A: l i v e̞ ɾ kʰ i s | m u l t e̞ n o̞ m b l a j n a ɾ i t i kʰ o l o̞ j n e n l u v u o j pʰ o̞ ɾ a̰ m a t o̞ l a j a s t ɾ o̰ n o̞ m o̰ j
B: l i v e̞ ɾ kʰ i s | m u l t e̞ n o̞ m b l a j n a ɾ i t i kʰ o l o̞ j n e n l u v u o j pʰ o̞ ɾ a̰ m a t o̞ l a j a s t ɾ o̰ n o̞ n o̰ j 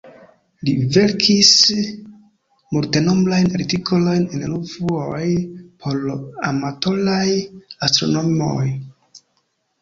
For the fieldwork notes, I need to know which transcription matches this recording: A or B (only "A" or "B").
A